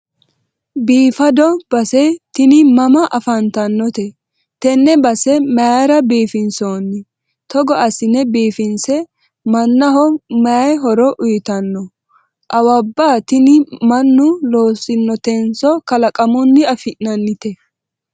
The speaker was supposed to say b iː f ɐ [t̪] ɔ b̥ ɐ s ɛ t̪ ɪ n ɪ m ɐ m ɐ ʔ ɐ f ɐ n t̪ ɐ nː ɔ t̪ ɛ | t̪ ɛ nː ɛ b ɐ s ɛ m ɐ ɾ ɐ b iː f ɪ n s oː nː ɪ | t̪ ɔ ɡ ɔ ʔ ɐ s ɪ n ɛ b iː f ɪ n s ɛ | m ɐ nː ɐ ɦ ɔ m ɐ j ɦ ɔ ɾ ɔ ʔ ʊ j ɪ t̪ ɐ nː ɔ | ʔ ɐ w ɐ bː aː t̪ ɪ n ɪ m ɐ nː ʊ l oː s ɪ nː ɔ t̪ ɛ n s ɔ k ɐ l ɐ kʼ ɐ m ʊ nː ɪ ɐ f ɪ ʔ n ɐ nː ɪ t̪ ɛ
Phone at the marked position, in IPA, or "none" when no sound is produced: d̪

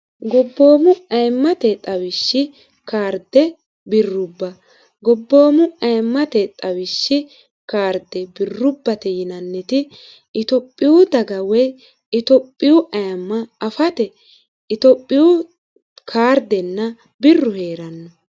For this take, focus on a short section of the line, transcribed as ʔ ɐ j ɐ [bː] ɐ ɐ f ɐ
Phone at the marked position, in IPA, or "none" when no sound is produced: mː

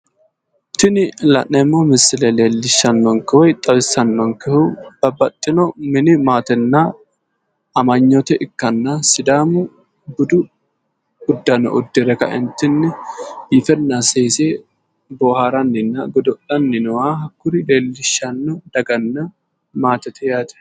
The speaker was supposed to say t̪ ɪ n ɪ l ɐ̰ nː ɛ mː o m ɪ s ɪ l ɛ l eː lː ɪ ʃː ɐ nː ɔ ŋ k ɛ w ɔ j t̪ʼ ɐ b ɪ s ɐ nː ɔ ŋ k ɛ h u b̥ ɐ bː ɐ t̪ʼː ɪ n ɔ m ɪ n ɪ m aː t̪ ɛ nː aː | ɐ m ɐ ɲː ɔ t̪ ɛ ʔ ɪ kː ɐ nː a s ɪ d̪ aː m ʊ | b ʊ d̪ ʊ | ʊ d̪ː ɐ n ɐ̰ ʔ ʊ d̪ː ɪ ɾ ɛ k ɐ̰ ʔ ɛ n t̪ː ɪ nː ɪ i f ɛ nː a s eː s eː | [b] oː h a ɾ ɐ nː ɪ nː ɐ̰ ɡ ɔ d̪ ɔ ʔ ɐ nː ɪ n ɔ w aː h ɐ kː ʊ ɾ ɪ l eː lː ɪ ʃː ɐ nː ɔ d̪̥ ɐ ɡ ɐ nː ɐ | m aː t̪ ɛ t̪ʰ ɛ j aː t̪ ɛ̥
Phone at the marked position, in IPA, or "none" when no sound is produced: b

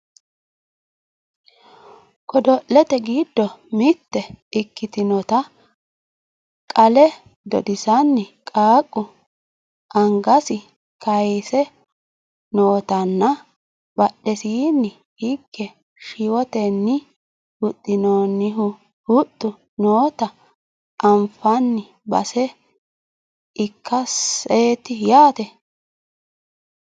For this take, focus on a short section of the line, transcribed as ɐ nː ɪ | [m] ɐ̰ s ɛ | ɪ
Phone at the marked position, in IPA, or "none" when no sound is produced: b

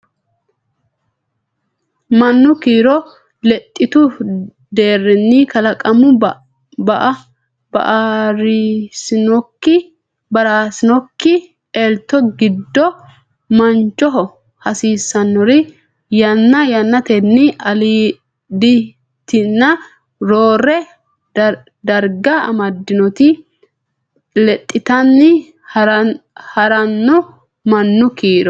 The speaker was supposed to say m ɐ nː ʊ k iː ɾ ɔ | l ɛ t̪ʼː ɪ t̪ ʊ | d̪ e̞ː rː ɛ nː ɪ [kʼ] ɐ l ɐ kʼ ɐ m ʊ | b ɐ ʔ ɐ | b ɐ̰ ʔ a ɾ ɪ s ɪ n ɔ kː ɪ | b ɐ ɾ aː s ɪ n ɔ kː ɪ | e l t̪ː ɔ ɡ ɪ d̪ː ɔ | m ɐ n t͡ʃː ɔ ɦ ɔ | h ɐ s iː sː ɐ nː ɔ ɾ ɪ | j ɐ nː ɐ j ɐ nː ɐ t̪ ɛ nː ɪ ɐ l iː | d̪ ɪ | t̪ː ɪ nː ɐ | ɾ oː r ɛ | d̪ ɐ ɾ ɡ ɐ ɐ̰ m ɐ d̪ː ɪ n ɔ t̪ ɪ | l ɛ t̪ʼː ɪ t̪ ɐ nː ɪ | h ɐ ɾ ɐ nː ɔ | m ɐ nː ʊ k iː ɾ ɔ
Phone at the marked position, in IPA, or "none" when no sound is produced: k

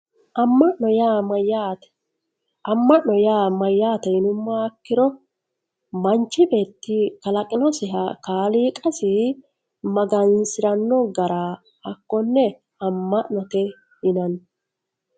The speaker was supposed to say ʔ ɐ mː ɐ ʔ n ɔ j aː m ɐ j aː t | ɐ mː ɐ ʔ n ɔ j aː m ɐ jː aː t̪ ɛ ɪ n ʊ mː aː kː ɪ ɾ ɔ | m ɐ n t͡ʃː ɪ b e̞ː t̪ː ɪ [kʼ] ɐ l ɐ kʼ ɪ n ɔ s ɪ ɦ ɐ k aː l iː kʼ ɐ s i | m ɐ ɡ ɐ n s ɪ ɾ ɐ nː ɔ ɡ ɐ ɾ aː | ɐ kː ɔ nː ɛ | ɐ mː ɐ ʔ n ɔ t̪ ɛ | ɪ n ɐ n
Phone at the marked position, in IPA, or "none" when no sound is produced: k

